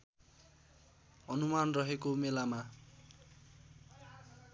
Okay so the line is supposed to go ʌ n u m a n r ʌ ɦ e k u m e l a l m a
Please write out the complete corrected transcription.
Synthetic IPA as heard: ʌ n u m a n r ʌ ɦ e k o m e l a m a